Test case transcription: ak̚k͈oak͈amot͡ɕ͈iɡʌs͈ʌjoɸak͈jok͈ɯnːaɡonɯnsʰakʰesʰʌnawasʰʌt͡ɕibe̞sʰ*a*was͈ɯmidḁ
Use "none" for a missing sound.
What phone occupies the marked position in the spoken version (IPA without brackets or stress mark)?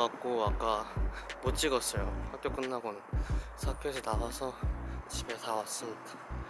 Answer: a